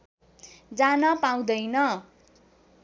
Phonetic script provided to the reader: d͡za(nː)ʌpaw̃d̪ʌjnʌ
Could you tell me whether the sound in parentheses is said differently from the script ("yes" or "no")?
yes